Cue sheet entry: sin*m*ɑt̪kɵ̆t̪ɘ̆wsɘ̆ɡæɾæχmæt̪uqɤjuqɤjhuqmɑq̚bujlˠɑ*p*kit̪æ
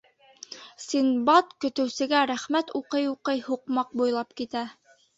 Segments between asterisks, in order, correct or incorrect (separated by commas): incorrect, correct